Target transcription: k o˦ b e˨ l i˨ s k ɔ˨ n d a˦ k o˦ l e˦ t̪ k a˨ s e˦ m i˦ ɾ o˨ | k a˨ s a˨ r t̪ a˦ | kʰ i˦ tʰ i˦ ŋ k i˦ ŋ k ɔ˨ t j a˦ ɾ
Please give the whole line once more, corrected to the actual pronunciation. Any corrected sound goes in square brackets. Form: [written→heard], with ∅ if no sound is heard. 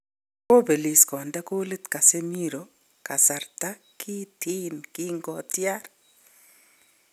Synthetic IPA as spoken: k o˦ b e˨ l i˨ s k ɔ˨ n d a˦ k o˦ l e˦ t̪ k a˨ s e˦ m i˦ ɾ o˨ | k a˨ s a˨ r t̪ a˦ | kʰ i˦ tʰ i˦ [ŋ→n] k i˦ ŋ [k→ɡ] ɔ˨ t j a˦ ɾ